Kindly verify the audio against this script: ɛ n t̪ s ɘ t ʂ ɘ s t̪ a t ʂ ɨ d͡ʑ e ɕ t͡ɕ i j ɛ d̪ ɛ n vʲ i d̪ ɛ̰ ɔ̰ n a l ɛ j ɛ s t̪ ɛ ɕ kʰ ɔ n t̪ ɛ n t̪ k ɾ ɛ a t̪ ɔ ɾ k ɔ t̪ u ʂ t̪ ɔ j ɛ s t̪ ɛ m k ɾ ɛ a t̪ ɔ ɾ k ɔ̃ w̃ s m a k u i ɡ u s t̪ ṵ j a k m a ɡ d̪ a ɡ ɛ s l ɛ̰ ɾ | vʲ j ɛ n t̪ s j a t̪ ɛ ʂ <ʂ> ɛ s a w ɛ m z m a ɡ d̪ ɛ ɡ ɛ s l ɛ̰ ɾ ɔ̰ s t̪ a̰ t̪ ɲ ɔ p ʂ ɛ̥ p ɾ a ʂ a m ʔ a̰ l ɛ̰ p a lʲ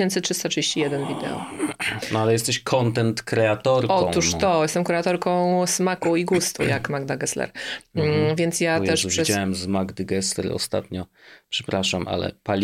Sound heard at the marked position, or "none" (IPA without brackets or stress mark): ʂ